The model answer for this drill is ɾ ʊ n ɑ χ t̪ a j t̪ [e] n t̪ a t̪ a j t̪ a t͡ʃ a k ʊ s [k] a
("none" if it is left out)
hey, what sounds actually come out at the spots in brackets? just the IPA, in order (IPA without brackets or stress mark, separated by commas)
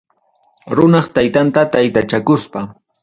a, p